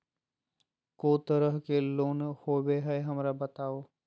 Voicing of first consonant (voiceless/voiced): voiceless